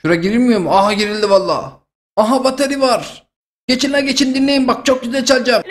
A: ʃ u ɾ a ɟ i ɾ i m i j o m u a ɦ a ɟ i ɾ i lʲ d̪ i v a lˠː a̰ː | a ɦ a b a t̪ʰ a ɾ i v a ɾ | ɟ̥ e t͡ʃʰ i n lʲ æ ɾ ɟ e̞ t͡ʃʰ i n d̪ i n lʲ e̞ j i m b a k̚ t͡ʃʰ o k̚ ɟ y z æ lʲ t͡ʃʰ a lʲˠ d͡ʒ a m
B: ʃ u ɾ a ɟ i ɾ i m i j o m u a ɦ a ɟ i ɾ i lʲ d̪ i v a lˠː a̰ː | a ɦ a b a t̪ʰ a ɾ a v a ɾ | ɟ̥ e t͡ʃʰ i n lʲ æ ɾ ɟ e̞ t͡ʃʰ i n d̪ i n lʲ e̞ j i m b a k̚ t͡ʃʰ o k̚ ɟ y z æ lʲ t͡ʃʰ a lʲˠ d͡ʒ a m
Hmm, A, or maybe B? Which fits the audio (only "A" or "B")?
A